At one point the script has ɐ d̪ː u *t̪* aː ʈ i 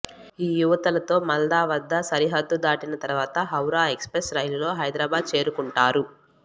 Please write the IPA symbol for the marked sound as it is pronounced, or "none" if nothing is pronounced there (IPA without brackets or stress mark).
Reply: d̪